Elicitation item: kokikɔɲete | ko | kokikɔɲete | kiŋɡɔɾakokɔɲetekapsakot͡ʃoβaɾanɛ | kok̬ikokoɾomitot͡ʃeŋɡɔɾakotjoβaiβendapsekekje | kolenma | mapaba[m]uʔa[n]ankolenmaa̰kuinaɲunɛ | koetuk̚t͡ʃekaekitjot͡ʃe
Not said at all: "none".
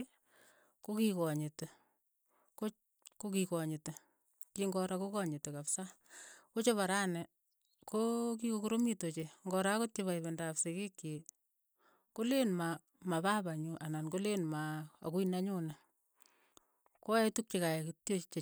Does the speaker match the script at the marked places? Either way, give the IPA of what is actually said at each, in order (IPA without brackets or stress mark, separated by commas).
ɲ, n